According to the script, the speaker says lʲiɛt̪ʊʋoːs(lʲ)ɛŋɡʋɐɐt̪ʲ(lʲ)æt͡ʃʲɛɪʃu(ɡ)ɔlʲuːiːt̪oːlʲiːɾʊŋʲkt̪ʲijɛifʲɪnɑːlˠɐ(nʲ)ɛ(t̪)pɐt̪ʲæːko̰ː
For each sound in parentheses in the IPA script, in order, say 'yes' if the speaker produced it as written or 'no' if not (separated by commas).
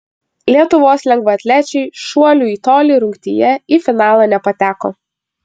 yes, yes, no, yes, no